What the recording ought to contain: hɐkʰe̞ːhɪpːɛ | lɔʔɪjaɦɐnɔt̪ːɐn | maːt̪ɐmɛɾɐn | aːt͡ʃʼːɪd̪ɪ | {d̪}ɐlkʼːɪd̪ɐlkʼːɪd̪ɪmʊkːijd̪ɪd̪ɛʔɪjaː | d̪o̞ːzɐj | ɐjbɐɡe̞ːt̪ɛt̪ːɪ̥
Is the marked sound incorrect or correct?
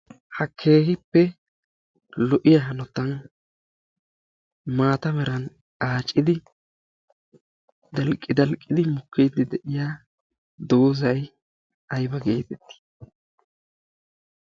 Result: correct